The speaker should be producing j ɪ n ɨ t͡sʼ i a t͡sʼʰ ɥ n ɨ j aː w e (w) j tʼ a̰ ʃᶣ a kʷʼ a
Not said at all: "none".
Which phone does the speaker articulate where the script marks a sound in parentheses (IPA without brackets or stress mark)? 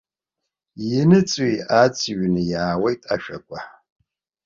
none